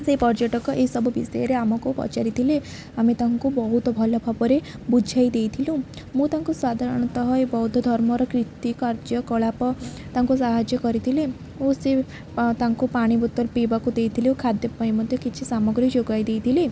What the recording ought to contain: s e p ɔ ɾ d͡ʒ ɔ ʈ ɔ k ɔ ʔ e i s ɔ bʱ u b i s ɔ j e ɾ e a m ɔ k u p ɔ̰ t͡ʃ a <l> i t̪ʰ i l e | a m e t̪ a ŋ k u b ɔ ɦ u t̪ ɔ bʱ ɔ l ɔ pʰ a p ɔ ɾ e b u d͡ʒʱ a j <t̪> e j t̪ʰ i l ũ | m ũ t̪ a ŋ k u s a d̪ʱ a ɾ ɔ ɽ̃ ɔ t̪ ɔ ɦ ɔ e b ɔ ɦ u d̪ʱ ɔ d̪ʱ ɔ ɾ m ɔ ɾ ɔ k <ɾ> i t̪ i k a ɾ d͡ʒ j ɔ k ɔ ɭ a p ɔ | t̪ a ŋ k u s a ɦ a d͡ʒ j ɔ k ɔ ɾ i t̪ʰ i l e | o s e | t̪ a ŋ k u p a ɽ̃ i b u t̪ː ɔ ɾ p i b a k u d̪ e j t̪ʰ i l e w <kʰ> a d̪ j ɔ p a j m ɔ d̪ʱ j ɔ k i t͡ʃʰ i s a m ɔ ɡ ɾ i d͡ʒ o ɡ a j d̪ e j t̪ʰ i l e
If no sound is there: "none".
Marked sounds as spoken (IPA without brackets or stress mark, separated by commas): ɾ, d̪, ɾ, kʰ